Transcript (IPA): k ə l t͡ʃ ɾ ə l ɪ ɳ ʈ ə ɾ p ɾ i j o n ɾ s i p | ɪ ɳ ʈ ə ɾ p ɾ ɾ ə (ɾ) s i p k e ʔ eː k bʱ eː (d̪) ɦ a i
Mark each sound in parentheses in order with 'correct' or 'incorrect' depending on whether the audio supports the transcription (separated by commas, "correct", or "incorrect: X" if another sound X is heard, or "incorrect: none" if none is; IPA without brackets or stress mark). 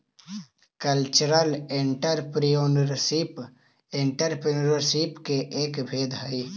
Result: correct, correct